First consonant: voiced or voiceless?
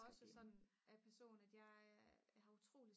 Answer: voiceless